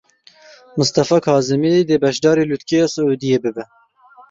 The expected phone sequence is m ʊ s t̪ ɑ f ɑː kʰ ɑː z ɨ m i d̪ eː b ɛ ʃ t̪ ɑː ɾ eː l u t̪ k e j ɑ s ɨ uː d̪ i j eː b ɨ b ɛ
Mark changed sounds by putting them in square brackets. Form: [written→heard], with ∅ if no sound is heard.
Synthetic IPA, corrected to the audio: m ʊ s t̪ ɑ f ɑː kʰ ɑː z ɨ m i d̪ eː b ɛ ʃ [t̪→d̪] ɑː ɾ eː l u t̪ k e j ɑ s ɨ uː d̪ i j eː b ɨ b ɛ